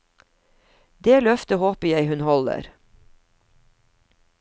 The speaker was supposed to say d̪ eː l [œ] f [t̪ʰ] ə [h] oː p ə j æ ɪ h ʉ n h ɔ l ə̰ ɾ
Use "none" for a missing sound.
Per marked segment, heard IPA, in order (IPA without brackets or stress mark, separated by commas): œ, t̪, h